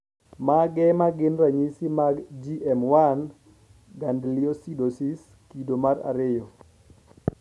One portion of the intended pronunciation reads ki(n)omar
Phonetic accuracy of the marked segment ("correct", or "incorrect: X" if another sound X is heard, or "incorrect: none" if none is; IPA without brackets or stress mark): incorrect: d